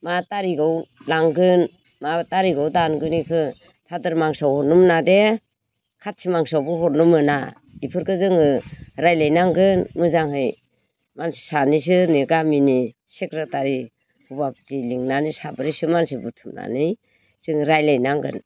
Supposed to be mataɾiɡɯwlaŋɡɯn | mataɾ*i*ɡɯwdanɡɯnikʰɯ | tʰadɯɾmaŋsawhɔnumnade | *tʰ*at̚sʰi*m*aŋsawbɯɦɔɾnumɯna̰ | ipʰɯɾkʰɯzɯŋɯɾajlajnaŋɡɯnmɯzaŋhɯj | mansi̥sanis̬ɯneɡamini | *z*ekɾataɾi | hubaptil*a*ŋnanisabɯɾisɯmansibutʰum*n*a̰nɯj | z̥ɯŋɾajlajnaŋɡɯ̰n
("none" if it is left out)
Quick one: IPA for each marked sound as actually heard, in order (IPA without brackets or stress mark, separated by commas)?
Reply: i, kʰ, m, s, i, n